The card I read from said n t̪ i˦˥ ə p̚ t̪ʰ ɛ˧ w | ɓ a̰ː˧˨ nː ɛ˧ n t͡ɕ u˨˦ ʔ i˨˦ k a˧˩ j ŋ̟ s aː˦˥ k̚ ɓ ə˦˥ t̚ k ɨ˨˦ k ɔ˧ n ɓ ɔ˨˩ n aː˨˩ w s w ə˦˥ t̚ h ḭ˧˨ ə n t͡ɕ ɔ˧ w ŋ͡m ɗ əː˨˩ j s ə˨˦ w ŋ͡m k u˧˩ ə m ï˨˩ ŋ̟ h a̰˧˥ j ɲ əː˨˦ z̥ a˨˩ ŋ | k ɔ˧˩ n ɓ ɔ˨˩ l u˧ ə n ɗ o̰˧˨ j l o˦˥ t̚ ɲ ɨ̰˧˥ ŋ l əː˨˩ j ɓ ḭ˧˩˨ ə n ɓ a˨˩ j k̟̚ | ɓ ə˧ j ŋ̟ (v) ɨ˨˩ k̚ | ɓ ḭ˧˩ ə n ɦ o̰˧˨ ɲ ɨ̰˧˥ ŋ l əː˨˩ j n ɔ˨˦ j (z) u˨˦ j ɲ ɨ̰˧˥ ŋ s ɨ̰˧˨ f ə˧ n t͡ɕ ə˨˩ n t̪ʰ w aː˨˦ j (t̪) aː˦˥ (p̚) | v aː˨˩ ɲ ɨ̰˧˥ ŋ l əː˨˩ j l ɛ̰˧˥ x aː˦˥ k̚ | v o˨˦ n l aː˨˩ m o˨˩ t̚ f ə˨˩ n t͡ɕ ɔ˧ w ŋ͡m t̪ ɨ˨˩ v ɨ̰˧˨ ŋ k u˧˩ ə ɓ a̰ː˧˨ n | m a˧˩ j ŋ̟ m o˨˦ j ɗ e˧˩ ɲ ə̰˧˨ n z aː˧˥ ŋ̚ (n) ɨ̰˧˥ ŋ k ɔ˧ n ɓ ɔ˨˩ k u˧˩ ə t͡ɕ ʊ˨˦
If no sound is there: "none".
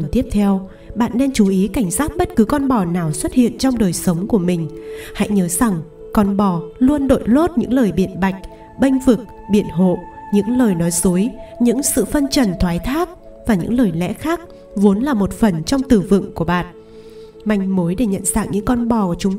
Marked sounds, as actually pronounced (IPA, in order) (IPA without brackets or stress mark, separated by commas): v, z, t̪ʰ, k̚, ɲ